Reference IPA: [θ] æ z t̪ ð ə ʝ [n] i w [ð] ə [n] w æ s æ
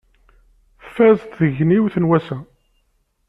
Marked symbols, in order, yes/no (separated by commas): no, yes, no, yes